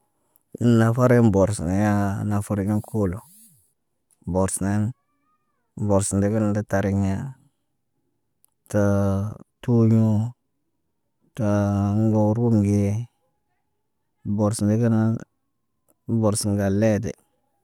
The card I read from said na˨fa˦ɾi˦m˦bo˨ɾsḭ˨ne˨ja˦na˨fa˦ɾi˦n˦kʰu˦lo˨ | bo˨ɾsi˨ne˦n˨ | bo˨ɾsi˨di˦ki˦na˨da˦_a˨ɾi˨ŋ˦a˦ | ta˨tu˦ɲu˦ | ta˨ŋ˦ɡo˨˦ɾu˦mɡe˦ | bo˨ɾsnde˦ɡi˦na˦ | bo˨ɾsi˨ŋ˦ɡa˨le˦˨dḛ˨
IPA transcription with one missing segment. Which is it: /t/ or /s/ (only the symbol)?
t